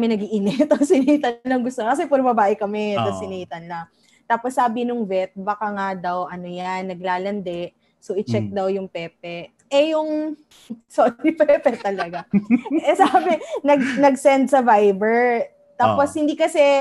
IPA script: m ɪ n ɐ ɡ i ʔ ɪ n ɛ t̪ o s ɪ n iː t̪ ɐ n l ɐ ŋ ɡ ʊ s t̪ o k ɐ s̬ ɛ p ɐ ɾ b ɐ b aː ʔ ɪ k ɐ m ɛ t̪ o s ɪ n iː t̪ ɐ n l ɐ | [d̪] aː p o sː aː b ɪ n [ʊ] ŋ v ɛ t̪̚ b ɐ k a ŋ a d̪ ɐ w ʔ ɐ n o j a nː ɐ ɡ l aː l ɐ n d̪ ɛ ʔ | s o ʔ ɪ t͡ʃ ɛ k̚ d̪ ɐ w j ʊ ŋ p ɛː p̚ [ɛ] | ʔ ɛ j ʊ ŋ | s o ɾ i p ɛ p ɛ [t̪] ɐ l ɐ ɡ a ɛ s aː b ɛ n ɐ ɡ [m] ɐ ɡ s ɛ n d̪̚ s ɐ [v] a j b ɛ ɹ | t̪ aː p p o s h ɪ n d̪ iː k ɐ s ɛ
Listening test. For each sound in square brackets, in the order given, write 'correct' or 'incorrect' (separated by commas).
incorrect, correct, correct, correct, incorrect, correct